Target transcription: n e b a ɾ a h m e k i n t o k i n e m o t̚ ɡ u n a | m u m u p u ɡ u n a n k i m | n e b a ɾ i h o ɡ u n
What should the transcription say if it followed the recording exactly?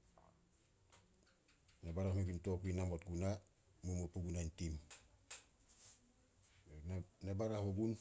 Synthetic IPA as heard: n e b a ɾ a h m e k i n t o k i n a m o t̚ ɡ u n a | m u m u p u ɡ u n a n t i m | n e b a ɾ a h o ɡ u n